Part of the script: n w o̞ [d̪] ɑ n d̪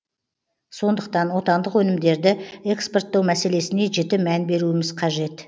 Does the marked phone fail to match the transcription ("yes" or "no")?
yes